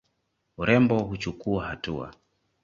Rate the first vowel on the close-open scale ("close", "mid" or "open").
close